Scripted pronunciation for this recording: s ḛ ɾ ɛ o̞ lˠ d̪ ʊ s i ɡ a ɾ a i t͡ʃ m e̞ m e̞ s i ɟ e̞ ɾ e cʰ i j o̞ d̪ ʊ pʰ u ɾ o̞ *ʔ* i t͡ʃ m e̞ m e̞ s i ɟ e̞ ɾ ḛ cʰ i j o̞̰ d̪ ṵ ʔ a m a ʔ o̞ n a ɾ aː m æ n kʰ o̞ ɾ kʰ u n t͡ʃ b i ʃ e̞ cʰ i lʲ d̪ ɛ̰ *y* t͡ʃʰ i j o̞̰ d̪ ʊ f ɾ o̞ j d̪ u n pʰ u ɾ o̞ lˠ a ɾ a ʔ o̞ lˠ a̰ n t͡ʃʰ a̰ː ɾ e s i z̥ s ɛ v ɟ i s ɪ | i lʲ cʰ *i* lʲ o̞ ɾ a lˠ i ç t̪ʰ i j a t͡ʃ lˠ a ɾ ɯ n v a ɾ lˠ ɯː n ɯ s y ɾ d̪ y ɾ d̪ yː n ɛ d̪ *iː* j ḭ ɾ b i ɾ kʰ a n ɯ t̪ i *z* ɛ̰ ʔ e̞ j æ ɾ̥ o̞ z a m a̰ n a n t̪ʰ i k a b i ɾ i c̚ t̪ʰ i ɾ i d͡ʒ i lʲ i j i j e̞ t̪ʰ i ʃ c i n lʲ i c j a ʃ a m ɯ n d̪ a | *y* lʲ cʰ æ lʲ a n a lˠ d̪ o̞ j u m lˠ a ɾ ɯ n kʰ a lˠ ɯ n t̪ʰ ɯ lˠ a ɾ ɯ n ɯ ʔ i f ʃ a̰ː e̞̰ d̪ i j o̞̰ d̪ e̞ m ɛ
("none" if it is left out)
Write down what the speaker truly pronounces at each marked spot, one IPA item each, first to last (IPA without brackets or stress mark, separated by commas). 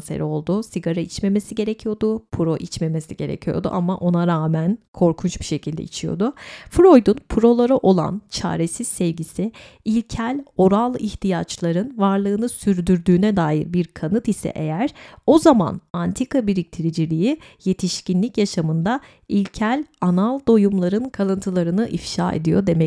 ʔ, i, æ, aː, s, i